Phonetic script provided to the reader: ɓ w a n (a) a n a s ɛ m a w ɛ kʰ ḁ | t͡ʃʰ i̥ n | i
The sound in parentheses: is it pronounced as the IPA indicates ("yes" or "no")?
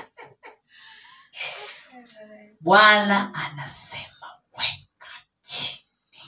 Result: yes